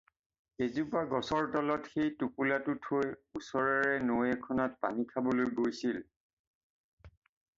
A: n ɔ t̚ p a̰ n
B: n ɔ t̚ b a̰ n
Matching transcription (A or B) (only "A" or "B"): A